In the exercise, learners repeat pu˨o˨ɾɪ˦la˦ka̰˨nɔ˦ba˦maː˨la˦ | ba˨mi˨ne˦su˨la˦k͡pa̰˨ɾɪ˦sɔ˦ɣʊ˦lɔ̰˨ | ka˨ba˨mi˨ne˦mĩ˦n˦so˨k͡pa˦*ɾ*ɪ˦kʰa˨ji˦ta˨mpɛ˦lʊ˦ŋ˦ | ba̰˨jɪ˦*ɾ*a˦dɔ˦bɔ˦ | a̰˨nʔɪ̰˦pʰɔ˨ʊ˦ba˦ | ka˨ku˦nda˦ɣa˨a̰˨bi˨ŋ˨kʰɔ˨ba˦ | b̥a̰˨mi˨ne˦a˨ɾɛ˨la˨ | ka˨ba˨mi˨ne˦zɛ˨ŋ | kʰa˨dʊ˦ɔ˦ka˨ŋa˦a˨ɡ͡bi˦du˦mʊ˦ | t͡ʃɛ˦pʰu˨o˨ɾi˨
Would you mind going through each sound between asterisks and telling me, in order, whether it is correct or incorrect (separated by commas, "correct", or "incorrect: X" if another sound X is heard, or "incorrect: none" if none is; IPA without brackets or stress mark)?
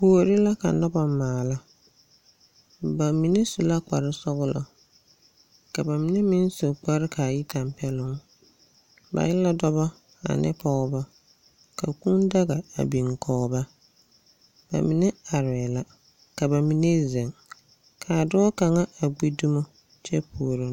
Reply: correct, incorrect: l